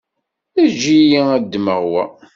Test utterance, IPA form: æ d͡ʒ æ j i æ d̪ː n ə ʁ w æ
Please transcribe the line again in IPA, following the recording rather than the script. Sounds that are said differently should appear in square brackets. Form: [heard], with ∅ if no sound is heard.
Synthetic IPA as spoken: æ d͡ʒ [i] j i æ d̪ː [m] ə ʁ w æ